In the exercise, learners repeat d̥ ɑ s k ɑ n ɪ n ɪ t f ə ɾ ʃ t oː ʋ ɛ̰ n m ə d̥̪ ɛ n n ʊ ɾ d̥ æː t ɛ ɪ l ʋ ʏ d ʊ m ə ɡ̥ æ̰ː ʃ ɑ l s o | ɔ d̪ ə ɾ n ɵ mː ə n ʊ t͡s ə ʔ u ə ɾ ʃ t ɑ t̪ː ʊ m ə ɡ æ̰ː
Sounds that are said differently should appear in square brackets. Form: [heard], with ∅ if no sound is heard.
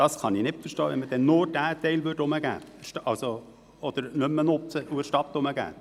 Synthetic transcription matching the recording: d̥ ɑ s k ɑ n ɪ n ɪ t f ə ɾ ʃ t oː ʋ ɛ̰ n m ə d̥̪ ɛ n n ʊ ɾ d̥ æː t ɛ ɪ l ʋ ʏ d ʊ m ə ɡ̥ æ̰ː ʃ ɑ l s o | ɔ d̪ ə ɾ n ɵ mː ə n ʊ t͡s ə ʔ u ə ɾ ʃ t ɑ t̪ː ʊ m ə ɡ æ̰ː